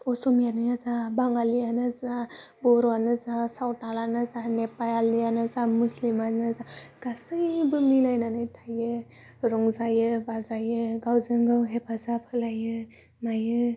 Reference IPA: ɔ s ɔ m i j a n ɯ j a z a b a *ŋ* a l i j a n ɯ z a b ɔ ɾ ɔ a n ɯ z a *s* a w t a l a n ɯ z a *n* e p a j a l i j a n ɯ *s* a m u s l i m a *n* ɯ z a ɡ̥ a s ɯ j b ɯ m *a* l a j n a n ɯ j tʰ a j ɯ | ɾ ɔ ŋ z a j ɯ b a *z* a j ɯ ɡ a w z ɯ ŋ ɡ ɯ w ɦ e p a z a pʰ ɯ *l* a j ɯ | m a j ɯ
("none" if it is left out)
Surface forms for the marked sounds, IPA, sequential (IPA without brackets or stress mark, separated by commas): ŋ, s, n, z, n, i, z, l